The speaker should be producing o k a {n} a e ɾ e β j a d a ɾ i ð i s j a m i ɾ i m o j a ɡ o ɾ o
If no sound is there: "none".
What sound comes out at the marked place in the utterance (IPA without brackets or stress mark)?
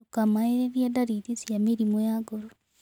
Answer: m